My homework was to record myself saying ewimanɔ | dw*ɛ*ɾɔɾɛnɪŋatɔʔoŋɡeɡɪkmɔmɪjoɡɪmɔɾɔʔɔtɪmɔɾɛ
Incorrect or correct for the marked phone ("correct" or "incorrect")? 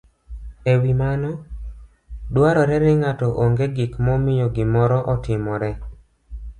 incorrect